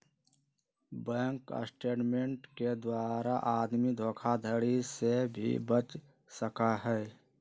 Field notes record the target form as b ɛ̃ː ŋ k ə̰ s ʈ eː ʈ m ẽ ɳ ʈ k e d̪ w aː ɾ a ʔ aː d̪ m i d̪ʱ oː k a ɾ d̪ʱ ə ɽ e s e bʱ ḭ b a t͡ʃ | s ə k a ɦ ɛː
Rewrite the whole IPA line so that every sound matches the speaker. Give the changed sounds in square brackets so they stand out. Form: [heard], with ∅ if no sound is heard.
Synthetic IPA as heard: b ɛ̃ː ŋ k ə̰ s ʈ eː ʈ m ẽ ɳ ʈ k e d̪ w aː ɾ a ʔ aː d̪ m i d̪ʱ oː [kʰ] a [∅] d̪ʱ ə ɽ [i] s e bʱ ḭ b [ə] t͡ʃ | s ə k a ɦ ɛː